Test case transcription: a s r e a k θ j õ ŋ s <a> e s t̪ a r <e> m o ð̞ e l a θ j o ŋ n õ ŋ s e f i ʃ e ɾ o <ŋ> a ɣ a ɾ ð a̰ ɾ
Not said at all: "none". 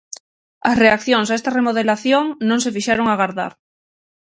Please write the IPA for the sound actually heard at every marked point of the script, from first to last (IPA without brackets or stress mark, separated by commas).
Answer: a, e, ŋ